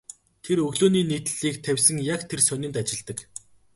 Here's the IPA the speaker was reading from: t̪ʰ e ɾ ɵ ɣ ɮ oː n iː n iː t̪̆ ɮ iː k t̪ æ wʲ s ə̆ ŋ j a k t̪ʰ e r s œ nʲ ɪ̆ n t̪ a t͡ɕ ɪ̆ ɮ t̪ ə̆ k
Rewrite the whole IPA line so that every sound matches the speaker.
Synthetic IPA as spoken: t̪ʰ e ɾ ɵ ɣ ɮ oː n iː n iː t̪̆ ɮ iː k t̪ʰ æ wʲ s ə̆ ŋ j a k t̪ʰ e r s œ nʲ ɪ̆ n t̪ a t͡ɕ ɪ̆ ɮ t̪ ə̆ k